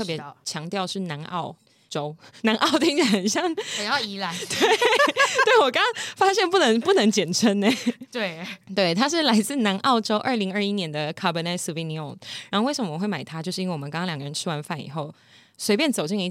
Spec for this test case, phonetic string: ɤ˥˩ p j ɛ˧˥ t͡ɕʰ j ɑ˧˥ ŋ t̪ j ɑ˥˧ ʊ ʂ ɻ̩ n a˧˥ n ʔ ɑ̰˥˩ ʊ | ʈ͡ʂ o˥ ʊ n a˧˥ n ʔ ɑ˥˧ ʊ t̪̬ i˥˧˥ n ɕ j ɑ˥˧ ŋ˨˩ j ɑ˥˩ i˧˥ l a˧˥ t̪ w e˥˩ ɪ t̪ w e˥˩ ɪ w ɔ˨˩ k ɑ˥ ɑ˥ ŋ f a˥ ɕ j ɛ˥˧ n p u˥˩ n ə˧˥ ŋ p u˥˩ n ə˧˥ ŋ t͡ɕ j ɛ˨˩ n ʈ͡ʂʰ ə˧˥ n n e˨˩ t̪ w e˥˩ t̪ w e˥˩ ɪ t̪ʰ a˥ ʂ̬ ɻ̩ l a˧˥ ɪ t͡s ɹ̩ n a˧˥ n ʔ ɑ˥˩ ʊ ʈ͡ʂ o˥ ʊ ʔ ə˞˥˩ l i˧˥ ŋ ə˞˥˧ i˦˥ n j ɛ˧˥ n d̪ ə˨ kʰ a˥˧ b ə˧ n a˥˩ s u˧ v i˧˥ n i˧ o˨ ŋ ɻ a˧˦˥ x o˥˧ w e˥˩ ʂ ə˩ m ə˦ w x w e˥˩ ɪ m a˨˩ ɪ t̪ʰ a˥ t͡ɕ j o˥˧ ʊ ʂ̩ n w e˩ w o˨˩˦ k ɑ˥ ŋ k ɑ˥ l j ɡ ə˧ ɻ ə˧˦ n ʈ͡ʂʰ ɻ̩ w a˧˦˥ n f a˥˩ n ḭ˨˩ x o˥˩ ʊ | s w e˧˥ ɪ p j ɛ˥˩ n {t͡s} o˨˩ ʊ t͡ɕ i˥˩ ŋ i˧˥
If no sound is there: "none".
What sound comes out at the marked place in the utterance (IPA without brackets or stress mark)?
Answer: t͡s